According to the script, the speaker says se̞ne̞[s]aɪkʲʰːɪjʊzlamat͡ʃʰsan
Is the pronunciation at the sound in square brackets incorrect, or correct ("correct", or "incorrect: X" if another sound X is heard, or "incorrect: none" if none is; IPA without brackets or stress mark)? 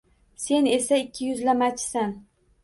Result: correct